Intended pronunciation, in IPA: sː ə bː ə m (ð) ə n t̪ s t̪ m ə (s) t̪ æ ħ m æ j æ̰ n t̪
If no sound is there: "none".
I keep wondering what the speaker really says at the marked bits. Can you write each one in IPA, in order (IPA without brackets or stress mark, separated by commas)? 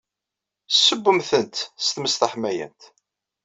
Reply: θ, s